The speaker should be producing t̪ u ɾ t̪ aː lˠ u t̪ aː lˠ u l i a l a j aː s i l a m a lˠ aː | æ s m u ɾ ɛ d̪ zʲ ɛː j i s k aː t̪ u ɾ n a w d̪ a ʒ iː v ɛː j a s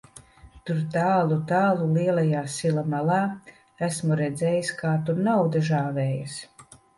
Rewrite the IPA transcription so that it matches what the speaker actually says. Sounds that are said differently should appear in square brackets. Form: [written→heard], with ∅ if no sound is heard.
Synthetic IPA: t̪ u ɾ t̪ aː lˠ u t̪ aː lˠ u l i [a→ɛ] l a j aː s i l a m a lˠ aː | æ s m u ɾ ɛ d̪ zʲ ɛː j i s k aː t̪ u ɾ n a w d̪ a ʒ [iː→aː] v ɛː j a s